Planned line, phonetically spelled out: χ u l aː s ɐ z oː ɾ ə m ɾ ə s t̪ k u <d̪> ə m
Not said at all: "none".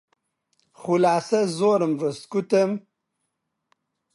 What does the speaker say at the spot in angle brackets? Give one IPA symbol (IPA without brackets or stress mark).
t̪